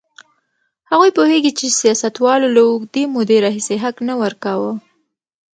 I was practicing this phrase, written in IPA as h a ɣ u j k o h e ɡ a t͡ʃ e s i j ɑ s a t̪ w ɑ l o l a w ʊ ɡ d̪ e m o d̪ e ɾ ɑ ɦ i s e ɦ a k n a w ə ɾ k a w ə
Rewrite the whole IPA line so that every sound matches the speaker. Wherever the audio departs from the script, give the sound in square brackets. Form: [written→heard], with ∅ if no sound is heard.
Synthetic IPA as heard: h a ɣ u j [k→p] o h e ɡ [a→i] t͡ʃ e s i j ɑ s a t̪ w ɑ l o l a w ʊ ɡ d̪ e m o d̪ e ɾ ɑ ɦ i s e ɦ a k n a w ə ɾ k a w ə

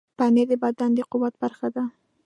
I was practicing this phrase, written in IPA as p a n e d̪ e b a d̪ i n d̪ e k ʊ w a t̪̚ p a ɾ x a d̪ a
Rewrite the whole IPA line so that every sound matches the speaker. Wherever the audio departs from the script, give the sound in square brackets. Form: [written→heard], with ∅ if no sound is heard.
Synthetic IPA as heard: p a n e d̪ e b a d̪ [i→a] n d̪ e [k→q] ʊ w a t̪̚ [p→b] a ɾ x a d̪ a

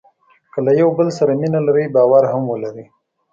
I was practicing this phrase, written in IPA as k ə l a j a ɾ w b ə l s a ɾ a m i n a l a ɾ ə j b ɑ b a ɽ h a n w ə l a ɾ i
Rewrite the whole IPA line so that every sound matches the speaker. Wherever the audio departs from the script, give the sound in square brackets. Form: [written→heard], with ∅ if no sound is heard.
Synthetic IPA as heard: k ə l a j a [ɾ→∅] w b ə l s a ɾ a m i n a l a ɾ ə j b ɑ [b→w] a [ɽ→ɾ] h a [n→m] w ə l a ɾ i

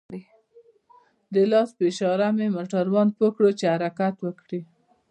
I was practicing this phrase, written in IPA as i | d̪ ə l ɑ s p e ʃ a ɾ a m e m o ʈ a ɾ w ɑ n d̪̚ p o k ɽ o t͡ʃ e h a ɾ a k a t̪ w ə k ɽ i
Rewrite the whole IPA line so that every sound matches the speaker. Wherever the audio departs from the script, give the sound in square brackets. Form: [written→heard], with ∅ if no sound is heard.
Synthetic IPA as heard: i | d̪ ə l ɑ s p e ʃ [a→ɑ] ɾ a m e m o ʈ a ɾ w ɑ n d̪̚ p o k ɽ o t͡ʃ e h a ɾ a k a t̪ w ə k ɽ i

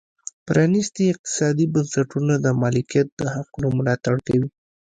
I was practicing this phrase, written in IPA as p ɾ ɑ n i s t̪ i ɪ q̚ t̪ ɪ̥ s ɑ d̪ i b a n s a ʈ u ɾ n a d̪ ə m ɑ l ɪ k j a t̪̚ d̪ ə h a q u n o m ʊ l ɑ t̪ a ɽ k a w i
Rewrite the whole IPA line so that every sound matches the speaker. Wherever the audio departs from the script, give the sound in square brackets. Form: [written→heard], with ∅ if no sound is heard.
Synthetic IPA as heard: p ɾ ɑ n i s t̪ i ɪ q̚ t̪ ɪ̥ s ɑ d̪ i b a n s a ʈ u [ɾ→∅] n a d̪ ə m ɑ l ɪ k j a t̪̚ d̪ ə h a q u n o m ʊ l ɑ t̪ a ɽ k a w i

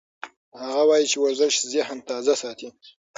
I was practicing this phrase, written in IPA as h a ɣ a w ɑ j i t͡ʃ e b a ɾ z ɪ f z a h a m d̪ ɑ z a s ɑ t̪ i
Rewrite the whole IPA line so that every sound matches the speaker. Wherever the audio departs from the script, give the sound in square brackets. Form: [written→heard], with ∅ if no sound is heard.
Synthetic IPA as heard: h a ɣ a w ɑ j i t͡ʃ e [b→w] a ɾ z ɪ [f→ʃ] z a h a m [d̪→t̪] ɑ z a s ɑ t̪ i

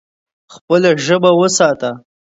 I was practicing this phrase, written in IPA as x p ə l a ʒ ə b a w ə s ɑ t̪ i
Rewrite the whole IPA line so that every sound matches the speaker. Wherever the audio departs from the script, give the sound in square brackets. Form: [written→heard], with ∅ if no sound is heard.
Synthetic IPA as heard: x p ə l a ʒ ə b a w ə s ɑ t̪ [i→a]

